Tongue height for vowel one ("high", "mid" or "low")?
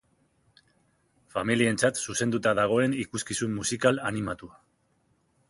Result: low